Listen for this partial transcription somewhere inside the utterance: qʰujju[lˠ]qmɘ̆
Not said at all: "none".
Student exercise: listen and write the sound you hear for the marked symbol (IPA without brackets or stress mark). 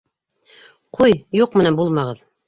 none